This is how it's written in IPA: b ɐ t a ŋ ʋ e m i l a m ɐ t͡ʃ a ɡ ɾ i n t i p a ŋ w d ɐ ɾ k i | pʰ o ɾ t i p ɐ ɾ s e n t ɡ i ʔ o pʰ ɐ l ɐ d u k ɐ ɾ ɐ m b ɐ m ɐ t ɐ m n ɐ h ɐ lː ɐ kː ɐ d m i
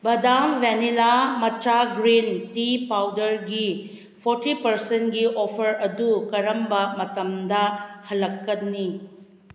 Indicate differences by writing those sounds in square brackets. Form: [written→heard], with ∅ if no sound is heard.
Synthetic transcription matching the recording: b ɐ [t→d] a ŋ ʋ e [m→n] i l a m ɐ t͡ʃ a ɡ ɾ i n t i p a [ŋ→∅] w d ɐ ɾ [k→ɡ] i | pʰ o ɾ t i p ɐ ɾ s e n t ɡ i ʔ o pʰ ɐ [l→ɾ] ɐ d u k ɐ ɾ ɐ m b ɐ m ɐ t ɐ m [n→d] ɐ h ɐ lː ɐ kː ɐ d [m→n] i